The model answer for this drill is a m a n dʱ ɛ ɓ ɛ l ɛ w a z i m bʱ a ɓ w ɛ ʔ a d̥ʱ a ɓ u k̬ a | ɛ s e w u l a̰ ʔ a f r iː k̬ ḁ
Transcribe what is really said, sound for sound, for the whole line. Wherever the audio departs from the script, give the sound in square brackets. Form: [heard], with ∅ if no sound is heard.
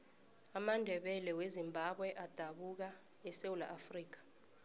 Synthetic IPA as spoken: a m a n dʱ ɛ ɓ ɛ l ɛ w [e] z i m bʱ a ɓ w ɛ ʔ a d̥ʱ a ɓ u k̬ a | ɛ s e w u l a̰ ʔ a f r iː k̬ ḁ